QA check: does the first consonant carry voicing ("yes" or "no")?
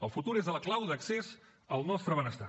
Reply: yes